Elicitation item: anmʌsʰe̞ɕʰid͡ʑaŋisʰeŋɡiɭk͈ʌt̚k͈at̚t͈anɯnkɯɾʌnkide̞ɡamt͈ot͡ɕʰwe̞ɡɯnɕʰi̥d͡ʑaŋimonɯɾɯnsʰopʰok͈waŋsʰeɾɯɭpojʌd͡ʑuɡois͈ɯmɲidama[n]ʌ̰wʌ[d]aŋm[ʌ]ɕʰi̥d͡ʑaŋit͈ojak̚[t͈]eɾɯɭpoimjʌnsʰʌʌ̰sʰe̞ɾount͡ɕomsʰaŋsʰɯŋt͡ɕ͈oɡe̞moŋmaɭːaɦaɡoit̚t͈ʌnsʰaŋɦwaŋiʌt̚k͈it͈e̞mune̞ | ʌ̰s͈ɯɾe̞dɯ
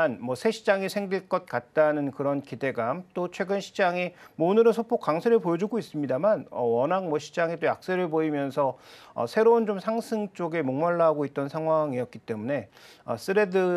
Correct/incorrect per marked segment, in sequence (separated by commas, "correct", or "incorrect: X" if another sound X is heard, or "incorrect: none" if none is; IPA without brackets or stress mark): correct, incorrect: n, correct, incorrect: s͈